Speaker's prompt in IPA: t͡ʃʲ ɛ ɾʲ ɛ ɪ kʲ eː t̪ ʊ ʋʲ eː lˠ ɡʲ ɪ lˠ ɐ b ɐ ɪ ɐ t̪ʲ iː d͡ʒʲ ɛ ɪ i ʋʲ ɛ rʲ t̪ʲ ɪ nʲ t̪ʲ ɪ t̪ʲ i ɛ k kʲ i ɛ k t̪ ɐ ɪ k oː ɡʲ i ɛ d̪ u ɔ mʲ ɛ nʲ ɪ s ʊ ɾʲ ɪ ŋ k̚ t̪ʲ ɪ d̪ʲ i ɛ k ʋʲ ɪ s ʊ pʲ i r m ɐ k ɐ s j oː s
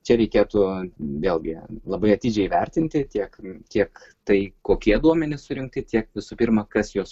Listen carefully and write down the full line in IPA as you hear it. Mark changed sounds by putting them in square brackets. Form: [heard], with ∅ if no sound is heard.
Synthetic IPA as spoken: t͡ʃʲ ɛ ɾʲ ɛ ɪ kʲ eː t̪ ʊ ʋʲ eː lˠ ɡʲ ɪ lˠ ɐ b ɐ ɪ ɐ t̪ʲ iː d͡ʒʲ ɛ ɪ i ʋʲ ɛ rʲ t̪ʲ ɪ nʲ t̪ʲ ɪ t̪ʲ i ɛ k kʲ i ɛ k t̪ ɐ ɪ k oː [kʲ] i ɛ d̪ u ɔ mʲ ɛ nʲ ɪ s ʊ ɾʲ ɪ ŋ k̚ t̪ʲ ɪ [t̪ʲ] i ɛ k ʋʲ ɪ s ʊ pʲ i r m ɐ k ɐ s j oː s